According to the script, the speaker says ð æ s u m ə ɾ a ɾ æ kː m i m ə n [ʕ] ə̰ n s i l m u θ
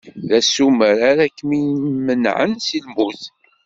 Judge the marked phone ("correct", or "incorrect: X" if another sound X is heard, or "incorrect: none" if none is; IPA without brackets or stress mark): correct